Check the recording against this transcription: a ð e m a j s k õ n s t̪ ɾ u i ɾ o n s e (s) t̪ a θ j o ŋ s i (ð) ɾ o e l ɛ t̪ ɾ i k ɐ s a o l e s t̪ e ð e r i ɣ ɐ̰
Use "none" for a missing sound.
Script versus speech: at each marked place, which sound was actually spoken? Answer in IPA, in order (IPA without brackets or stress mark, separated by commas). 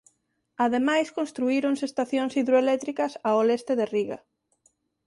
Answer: s, ð